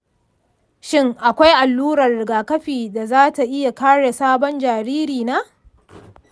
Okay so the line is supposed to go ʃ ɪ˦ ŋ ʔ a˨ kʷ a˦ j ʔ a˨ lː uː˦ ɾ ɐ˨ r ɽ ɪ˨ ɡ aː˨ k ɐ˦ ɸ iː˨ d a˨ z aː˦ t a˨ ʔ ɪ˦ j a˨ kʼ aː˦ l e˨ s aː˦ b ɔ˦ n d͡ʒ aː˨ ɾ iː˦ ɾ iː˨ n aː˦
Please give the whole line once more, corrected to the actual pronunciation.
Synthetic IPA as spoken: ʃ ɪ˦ ŋ ʔ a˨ kʷ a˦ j ʔ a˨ lː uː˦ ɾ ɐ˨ r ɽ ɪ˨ ɡ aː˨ k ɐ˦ ɸ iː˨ d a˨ z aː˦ t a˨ ʔ ɪ˦ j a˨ k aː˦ ɽ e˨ s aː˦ b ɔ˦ n d͡ʒ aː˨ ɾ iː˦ ɾ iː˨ n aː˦